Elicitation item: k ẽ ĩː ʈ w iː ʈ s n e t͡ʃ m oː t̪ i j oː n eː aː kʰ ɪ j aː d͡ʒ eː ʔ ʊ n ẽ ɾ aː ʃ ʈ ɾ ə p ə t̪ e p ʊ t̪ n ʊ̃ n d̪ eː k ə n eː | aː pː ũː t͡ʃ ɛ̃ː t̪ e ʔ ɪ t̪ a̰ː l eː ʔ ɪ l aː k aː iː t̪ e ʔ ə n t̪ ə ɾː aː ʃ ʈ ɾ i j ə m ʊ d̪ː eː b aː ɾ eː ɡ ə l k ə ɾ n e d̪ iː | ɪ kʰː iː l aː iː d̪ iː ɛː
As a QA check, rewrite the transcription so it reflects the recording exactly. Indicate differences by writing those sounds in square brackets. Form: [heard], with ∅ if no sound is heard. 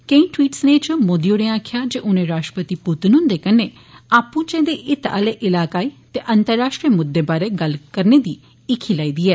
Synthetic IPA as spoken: k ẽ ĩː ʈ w iː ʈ s n e t͡ʃ m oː [d̪] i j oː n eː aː kʰ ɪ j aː d͡ʒ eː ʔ ʊ n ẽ ɾ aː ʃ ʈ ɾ ə p ə t̪ [i] p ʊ t̪ n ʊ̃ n d̪ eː k ə n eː | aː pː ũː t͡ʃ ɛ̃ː [d̪] e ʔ ɪ t̪ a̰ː l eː ʔ ɪ l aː k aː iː t̪ e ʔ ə n t̪ ə ɾː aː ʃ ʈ ɾ i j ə m ʊ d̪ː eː b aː ɾ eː ɡ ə l k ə ɾ n e d̪ iː | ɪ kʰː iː l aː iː d̪ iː ɛː